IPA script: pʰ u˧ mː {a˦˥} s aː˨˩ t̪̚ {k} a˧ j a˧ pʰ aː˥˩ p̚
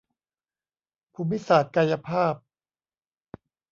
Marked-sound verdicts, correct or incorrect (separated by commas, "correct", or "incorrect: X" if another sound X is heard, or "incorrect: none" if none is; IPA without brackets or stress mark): incorrect: i˦˥, correct